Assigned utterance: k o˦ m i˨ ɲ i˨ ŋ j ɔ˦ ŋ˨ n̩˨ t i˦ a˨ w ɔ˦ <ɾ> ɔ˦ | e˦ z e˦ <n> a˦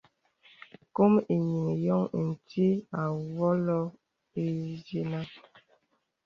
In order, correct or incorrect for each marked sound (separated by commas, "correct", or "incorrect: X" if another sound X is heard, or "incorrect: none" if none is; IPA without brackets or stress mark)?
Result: incorrect: l, correct